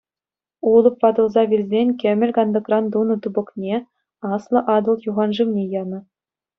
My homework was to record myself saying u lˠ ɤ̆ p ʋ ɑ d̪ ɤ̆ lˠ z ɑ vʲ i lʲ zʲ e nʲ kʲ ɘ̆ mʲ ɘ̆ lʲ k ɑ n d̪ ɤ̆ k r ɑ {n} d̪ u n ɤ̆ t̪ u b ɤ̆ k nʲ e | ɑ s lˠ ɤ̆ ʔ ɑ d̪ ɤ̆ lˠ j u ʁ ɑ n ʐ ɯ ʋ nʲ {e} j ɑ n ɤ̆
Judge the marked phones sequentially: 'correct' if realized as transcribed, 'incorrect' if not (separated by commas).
correct, correct